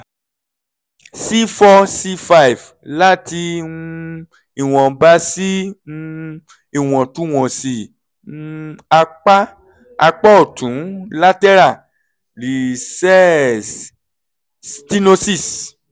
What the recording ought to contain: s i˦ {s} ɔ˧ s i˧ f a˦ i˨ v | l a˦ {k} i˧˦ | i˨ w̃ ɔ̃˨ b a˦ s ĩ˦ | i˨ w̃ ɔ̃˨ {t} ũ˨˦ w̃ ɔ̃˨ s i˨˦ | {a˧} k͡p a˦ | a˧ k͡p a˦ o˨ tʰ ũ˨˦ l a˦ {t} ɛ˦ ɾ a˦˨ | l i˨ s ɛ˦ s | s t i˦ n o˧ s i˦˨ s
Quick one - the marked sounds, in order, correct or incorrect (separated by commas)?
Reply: incorrect, incorrect, correct, correct, correct